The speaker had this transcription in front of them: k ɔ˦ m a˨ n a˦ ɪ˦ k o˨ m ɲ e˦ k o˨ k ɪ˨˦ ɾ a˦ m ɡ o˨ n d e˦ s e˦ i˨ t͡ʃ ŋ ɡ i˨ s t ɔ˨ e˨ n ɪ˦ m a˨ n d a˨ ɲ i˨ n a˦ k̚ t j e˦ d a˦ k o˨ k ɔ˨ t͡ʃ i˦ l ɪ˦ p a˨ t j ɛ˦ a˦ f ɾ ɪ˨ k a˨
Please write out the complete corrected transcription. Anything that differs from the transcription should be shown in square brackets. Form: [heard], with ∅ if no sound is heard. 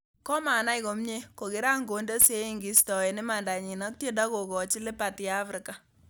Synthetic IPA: k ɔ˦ m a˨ n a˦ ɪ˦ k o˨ m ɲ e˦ k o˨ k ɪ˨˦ ɾ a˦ [ŋ] ɡ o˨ n d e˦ s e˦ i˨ [∅] ŋ ɡ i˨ s t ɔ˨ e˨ n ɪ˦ m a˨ n d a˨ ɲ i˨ n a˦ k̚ t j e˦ d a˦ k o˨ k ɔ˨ t͡ʃ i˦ l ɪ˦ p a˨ t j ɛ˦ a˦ f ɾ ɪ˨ k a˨